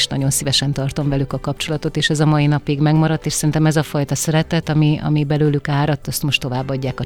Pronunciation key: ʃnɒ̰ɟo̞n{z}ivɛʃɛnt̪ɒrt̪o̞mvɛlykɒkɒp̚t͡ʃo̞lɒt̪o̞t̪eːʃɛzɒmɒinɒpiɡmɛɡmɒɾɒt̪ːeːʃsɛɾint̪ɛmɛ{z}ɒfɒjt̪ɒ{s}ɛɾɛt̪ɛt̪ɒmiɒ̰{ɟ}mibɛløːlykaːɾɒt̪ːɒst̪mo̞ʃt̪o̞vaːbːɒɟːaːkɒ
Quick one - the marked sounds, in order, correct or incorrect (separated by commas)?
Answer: incorrect, correct, correct, incorrect